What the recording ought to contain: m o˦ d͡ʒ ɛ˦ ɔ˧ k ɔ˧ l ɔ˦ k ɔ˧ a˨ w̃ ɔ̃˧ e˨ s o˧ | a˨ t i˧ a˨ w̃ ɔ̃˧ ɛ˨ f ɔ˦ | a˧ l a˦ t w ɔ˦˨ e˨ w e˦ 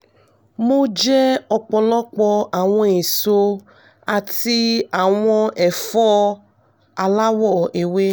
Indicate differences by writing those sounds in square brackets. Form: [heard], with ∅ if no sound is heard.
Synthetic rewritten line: m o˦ d͡ʒ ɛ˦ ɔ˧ [k͡p] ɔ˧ l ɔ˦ [k͡p] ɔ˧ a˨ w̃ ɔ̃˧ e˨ s o˧ | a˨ t i˧ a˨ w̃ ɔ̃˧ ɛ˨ f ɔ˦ | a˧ l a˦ [∅] w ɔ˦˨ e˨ w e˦